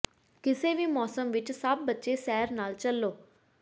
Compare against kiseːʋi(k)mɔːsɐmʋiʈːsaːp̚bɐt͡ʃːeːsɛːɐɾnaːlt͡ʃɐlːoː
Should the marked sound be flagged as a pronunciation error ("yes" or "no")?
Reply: yes